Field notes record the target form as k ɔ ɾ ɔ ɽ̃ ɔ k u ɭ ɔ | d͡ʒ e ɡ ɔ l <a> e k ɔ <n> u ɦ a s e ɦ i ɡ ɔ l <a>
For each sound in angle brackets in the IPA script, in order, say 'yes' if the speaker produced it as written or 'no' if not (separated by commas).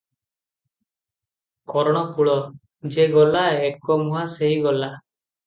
yes, no, yes